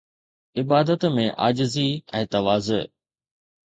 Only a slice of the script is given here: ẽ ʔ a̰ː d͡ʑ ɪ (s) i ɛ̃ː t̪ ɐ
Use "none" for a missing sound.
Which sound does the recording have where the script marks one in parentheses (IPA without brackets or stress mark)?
z